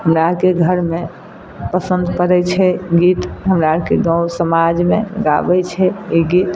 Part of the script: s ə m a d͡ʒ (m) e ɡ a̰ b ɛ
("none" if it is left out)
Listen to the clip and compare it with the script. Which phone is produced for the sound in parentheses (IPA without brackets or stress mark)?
m